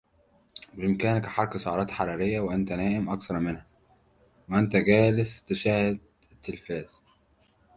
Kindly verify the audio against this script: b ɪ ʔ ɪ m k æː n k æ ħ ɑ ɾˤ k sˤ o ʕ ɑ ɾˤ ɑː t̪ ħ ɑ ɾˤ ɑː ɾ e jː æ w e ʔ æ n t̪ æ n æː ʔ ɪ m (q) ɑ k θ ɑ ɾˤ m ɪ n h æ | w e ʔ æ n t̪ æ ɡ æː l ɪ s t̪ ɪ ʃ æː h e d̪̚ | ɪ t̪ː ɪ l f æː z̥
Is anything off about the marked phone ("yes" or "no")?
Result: yes